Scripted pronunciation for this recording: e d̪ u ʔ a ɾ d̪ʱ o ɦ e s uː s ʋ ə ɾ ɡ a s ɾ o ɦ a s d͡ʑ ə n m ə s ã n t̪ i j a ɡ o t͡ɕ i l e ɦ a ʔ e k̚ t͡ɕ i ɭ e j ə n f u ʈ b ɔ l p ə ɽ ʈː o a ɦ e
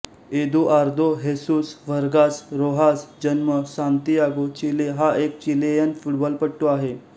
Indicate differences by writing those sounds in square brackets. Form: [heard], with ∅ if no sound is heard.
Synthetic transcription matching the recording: e d̪ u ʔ a ɾ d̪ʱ o ɦ e s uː s ʋ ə ɾ ɡ a s ɾ o ɦ a s d͡ʑ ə n m ə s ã n t̪ i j a ɡ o t͡ɕ i l e ɦ a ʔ e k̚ t͡ɕ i [l] e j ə n f u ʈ b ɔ l p ə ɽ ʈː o a ɦ e